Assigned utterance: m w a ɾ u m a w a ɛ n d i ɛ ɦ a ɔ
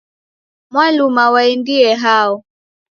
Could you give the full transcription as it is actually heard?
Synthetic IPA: m w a l u m a w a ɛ n d i ɛ ɦ a ɔ